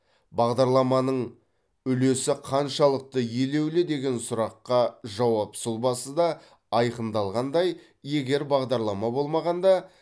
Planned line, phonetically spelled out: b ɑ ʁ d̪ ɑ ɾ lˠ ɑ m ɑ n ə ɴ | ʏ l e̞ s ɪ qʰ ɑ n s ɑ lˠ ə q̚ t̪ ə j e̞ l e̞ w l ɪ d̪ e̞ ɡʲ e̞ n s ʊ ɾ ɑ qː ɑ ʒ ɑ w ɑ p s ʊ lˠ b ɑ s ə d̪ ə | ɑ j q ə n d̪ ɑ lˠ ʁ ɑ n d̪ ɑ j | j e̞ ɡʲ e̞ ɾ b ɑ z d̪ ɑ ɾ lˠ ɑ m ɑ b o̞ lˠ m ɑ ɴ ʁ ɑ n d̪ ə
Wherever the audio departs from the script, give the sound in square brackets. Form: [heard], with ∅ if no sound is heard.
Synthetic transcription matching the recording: b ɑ ʁ d̪ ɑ ɾ lˠ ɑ m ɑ n ə ɴ | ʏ l e̞ s ɪ qʰ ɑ n [ʃ] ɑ lˠ ə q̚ t̪ ə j e̞ l e̞ w l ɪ d̪ e̞ ɡʲ e̞ n s ʊ ɾ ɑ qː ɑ ʒ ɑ w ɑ p s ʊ lˠ b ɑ s ə d̪ [ɑ] | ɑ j q ə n d̪ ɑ lˠ ʁ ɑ n d̪ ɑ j | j e̞ ɡʲ e̞ ɾ b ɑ [ʁ] d̪ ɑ ɾ lˠ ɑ m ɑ b o̞ lˠ m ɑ [∅] ʁ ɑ n d̪ [ɑ]